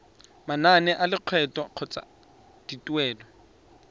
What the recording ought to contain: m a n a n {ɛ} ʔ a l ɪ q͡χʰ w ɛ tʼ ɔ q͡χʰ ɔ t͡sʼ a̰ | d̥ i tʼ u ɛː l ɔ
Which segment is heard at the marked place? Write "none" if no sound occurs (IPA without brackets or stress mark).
ɛ